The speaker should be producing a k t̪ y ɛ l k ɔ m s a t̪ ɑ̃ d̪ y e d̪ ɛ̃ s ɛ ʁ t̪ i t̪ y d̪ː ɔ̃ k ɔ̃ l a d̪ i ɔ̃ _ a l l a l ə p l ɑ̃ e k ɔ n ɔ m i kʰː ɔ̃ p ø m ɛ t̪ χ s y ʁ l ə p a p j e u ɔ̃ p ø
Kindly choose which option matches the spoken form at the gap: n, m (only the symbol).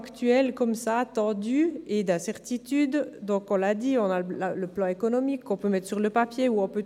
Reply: n